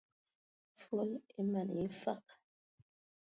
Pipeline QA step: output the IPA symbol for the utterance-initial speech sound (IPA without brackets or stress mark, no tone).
f